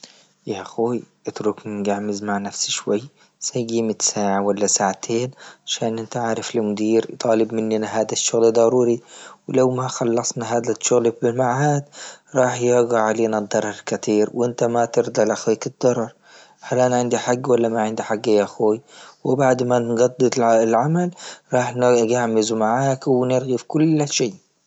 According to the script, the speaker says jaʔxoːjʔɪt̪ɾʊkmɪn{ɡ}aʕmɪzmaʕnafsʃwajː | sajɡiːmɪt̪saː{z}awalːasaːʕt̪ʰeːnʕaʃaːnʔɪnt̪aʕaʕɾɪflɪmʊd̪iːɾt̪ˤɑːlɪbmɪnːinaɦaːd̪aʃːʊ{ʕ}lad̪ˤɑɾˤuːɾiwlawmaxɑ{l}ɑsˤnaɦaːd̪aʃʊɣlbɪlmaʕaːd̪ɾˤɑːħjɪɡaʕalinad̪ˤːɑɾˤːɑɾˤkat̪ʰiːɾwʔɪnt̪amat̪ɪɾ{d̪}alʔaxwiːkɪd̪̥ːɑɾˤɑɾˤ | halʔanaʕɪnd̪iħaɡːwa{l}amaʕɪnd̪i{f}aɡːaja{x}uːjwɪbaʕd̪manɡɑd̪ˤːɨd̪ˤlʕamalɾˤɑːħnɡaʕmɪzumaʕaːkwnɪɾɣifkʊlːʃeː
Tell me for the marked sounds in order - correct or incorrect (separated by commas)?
correct, incorrect, incorrect, incorrect, correct, incorrect, incorrect, correct